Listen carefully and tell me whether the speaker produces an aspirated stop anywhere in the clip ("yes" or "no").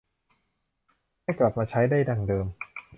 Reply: yes